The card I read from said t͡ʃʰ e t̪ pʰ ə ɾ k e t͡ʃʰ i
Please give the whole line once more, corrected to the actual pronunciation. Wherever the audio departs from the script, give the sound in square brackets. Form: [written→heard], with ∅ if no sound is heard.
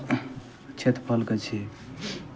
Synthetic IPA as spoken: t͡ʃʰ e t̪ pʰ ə [ɾ→l] k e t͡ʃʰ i